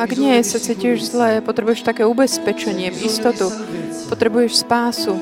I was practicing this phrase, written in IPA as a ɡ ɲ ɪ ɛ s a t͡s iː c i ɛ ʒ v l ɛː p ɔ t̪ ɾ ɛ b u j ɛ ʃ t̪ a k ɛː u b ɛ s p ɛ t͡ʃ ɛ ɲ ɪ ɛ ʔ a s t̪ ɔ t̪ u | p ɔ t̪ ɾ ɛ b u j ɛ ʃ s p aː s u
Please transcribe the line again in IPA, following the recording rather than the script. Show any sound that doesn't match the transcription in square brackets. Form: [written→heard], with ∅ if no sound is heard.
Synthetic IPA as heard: a ɡ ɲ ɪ ɛ s a t͡s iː c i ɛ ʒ [v→z] l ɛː p ɔ t̪ ɾ ɛ b u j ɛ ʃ t̪ a k ɛː u b ɛ s p ɛ t͡ʃ ɛ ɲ ɪ ɛ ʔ [a→i] s t̪ ɔ t̪ u | p ɔ t̪ ɾ ɛ b u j ɛ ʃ s p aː s u